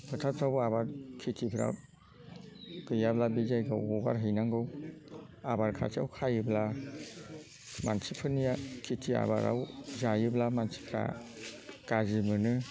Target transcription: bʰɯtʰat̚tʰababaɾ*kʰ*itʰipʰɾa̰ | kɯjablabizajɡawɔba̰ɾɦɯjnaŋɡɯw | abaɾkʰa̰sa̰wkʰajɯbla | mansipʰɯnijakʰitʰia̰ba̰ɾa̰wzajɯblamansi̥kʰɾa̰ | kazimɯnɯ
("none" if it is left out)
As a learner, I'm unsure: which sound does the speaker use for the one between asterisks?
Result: kʰ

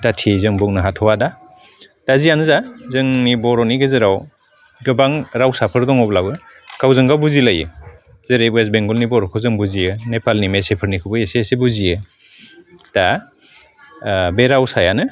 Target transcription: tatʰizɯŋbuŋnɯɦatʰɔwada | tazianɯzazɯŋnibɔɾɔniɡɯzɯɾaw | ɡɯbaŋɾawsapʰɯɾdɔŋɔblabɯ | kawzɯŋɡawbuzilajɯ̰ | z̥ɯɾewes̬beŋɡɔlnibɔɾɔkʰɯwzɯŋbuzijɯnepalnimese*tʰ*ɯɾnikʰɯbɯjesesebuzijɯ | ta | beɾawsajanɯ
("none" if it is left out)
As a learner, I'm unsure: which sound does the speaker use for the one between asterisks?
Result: pʰ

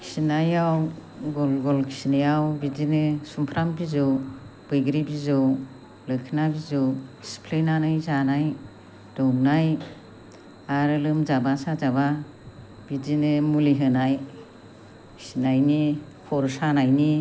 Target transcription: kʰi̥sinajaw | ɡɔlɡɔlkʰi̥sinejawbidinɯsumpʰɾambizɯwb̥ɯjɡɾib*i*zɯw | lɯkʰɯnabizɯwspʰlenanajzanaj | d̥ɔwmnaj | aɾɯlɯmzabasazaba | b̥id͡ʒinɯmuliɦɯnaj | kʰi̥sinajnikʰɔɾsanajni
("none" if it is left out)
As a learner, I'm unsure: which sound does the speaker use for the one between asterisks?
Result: i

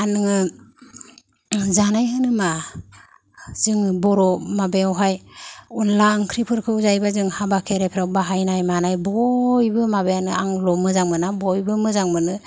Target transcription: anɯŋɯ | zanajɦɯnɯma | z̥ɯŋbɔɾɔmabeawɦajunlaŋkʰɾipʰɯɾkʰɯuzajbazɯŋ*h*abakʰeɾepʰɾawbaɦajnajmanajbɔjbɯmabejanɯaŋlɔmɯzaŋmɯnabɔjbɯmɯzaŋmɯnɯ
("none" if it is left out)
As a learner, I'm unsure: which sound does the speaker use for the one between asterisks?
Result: h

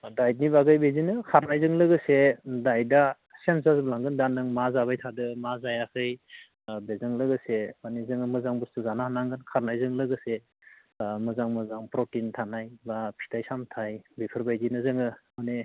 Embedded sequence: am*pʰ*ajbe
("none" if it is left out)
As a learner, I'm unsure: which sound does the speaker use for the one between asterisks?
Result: tʰ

